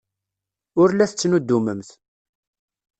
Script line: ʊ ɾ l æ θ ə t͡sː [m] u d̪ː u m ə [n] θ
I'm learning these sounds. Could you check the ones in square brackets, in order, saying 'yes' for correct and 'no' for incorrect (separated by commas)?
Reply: no, no